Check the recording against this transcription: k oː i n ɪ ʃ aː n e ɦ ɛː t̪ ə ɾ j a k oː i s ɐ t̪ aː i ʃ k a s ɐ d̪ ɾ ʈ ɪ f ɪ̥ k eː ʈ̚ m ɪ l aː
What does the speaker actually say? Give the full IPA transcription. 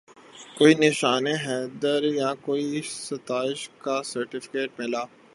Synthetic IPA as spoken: k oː i n ɪ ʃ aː n e ɦ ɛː d̪ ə ɾ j a k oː i s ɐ t̪ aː ɪ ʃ k a s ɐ ɾ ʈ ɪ f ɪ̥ k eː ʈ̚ m ɪ l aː